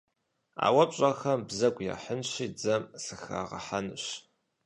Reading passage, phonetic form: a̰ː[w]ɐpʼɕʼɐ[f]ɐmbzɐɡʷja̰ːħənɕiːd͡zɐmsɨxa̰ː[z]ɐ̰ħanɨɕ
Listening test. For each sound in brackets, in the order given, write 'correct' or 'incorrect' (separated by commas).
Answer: correct, incorrect, incorrect